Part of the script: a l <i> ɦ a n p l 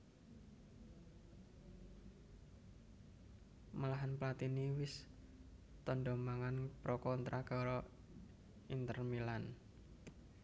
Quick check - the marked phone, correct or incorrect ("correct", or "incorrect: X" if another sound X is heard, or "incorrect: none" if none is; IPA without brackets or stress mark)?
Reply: incorrect: a